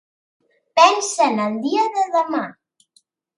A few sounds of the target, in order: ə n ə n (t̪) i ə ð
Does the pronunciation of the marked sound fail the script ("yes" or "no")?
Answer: yes